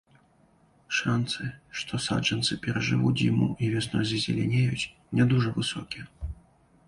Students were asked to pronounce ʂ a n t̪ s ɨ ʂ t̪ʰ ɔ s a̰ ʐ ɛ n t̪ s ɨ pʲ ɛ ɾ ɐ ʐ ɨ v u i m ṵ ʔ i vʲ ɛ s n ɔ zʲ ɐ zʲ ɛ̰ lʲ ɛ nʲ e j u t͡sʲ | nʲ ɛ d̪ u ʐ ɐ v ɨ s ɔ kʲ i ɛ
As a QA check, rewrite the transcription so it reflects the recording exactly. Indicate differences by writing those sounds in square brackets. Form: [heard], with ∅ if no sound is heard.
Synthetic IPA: ʂ a n t̪ s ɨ ʂ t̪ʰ ɔ s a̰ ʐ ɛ n t̪ s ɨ pʲ ɛ ɾ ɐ ʐ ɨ v u i m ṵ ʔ i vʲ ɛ s n ɔ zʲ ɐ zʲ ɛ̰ lʲ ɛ nʲ e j u t͡sʲ | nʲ ɛ d̪ u ʐ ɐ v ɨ s ɔ kʲ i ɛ